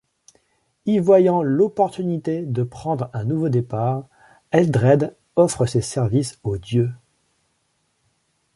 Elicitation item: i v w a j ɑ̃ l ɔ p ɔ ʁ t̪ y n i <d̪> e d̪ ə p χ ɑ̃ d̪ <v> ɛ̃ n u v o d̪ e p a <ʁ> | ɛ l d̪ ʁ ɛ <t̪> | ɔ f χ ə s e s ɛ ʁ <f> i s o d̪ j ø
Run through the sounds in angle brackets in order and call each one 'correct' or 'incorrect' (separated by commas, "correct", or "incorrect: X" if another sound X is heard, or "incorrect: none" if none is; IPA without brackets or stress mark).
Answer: incorrect: t̪, incorrect: ʁ, correct, incorrect: d̪, incorrect: v